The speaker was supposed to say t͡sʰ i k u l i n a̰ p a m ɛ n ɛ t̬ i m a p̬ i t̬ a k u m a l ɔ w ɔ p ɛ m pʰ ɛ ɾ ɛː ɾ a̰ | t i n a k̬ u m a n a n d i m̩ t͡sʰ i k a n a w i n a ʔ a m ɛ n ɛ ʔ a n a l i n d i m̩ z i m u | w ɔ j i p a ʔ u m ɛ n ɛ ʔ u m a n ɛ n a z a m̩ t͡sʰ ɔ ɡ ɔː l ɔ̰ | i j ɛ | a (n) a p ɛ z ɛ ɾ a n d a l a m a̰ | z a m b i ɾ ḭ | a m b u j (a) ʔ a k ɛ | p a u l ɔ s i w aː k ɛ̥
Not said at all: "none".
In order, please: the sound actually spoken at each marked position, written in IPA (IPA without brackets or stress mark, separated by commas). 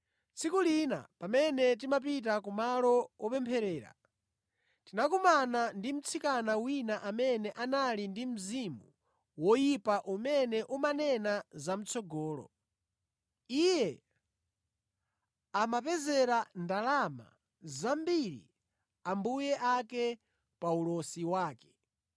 m, ɛ